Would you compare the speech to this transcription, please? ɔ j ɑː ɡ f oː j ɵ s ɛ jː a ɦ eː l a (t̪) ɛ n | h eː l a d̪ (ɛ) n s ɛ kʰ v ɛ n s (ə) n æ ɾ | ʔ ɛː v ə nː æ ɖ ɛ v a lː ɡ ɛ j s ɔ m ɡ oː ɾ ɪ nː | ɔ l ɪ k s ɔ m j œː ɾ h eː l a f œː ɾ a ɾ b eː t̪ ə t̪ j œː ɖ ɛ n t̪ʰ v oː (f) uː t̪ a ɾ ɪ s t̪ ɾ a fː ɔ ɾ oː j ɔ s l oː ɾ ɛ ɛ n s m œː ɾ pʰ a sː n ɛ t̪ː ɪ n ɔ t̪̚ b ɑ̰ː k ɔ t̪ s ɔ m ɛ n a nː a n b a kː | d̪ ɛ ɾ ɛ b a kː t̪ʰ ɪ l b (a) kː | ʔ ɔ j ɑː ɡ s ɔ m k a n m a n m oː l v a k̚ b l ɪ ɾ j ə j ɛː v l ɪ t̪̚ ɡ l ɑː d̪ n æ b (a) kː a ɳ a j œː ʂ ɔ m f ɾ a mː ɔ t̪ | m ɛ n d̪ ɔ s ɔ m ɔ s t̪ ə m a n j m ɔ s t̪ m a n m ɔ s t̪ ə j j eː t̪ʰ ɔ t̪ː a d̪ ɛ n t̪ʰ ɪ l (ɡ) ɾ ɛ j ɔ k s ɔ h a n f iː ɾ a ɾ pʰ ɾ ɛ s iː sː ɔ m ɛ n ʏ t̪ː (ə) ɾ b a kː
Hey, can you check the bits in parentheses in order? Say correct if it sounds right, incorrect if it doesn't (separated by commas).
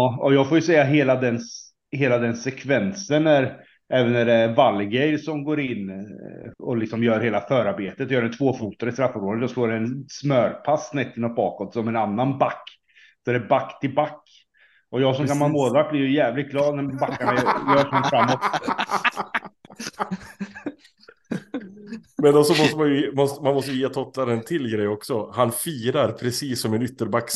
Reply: incorrect, correct, correct, correct, correct, correct, correct, correct